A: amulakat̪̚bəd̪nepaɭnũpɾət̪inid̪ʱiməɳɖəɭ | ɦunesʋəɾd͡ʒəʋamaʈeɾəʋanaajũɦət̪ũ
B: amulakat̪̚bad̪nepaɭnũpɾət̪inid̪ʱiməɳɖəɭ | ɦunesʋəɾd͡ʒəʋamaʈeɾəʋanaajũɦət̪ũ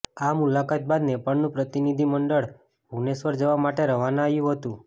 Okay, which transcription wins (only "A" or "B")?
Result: B